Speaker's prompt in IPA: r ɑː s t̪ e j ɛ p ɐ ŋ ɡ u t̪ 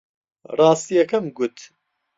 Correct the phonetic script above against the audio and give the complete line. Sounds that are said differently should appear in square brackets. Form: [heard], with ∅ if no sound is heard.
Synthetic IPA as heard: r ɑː s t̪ [i] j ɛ [k] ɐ [m] ɡ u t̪